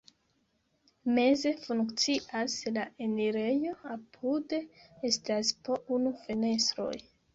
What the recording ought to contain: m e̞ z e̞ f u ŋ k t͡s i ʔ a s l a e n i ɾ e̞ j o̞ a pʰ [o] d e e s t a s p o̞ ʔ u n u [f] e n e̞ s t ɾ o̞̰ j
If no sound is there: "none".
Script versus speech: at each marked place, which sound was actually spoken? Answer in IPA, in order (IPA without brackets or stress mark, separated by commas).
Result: u, f